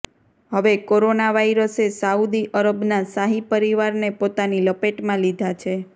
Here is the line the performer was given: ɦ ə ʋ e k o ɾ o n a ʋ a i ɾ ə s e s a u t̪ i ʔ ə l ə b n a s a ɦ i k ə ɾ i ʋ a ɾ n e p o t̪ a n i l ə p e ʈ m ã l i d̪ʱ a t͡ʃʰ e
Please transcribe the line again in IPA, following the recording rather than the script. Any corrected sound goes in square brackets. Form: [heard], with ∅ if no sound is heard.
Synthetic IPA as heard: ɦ ə ʋ e k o ɾ o n a ʋ a i ɾ ə s e s a u [d̪] i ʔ ə [ɾ] ə b n a s a ɦ i [p] ə ɾ i ʋ a ɾ n e p o t̪ a n i l ə p e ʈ m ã l i d̪ʱ a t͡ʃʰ e